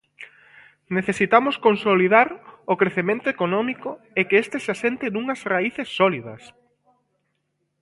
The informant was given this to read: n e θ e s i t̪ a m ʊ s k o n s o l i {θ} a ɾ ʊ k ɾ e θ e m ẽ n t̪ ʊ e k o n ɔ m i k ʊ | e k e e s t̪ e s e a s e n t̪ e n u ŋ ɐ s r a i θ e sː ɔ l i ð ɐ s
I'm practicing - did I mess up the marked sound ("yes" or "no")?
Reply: yes